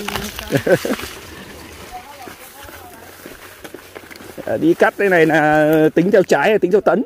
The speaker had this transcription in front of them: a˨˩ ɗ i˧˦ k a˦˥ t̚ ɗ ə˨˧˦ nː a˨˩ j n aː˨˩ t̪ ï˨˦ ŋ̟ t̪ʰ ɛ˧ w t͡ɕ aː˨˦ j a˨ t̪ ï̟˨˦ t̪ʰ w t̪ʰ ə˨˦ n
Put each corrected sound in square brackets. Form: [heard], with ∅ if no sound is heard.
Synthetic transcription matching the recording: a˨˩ ɗ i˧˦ k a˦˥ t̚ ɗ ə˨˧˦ [n] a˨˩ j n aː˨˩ t̪ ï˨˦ ŋ̟ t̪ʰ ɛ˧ w t͡ɕ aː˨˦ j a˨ t̪ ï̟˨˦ t̪ʰ w [t̪] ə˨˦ n